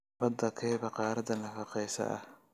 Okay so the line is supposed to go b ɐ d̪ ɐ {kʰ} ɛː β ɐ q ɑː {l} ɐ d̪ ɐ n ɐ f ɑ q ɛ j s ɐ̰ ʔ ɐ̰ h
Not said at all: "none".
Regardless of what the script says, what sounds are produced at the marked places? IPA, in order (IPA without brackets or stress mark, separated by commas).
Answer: kʰ, ɾ